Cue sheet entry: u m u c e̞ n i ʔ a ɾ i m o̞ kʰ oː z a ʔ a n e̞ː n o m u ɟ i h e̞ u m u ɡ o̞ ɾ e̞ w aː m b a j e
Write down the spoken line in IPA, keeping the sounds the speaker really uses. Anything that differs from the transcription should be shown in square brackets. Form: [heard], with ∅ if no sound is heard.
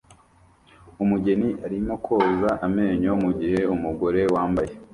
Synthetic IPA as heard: u m u [ɟ] e̞ n i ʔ a ɾ i m o̞ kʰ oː z a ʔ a [m] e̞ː [ɲ] o m u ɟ i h e̞ u m u ɡ o̞ ɾ e̞ w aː m b a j e